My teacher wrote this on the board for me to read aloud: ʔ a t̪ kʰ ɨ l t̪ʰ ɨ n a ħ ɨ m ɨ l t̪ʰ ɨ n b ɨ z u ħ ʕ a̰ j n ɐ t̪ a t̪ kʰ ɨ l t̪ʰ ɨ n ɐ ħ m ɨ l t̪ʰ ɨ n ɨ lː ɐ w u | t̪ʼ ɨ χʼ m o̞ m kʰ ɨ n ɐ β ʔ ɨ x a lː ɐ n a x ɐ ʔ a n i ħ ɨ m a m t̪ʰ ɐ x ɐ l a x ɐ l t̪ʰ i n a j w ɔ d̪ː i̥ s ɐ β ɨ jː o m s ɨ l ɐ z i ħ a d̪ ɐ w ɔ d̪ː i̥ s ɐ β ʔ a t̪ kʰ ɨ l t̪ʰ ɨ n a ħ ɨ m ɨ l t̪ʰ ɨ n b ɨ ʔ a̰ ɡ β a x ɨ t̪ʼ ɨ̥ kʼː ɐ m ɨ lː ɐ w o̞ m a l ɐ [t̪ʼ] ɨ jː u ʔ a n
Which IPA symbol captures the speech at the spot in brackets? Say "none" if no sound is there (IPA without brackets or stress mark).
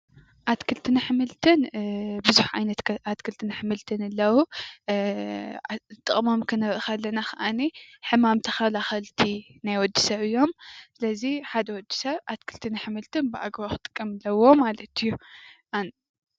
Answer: t̪